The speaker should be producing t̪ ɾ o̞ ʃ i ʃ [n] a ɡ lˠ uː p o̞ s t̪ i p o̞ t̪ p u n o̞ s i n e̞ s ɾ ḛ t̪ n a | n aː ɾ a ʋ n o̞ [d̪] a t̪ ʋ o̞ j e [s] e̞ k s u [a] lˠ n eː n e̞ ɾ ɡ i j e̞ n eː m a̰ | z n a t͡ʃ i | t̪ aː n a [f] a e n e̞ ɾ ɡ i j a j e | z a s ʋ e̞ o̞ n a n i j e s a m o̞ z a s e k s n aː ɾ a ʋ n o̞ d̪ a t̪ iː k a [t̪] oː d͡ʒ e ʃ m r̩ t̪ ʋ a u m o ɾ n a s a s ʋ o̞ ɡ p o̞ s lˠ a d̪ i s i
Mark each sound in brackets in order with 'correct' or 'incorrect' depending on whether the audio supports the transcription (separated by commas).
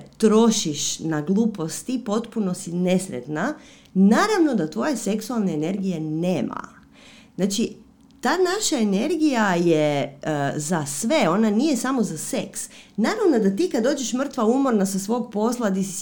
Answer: correct, correct, correct, correct, incorrect, incorrect